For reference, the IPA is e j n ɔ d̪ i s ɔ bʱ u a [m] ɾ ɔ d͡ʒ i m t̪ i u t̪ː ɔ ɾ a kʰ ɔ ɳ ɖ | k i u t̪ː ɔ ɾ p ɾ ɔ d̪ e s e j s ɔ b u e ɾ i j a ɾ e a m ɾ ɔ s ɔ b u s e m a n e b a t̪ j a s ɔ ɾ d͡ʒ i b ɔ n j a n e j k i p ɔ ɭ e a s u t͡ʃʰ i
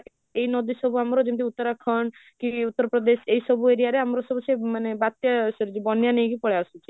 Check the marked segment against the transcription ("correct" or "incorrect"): correct